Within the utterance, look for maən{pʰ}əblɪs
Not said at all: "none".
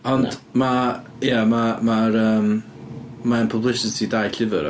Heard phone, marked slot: pʰ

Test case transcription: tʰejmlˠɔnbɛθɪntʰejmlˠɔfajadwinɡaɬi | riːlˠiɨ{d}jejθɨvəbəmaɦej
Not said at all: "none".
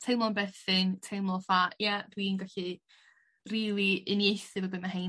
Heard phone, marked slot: n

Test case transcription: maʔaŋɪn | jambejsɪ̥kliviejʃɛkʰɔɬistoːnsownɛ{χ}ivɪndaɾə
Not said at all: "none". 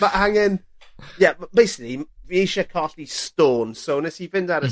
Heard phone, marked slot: s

